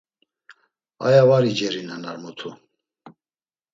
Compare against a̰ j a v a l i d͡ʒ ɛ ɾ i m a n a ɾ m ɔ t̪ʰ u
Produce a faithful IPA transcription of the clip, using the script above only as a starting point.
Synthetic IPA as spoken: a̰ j a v a ɾ i d͡ʒ ɛ ɾ i n a n a ɾ m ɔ t̪ʰ u